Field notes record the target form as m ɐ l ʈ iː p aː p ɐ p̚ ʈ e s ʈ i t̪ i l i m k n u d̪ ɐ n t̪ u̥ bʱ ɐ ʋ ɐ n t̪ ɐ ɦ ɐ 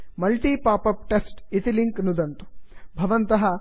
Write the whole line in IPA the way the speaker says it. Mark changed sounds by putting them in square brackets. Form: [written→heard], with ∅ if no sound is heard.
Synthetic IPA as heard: m ɐ l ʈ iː p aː p ɐ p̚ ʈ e s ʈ i t̪ i l i [m→ŋ] k n u d̪ ɐ n t̪ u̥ bʱ ɐ ʋ ɐ n t̪ ɐ ɦ ɐ